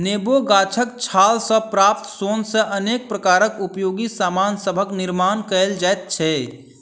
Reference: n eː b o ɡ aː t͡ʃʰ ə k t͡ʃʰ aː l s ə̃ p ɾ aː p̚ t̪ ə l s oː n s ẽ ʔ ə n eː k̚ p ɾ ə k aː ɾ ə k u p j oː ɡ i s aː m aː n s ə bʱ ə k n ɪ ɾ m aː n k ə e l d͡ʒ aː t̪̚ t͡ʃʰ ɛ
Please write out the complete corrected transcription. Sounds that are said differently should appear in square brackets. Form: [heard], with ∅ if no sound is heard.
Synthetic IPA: n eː b o ɡ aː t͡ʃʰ ə k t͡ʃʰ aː l s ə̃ p ɾ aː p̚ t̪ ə [∅] s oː n s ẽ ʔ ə n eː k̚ p ɾ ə k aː ɾ ə k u p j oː ɡ i s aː m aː n s ə bʱ ə k n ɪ ɾ m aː n k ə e l d͡ʒ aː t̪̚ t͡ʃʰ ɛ